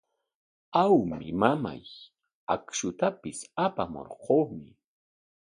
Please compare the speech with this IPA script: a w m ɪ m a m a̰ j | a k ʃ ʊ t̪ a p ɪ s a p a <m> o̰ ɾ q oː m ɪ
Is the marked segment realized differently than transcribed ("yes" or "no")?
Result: no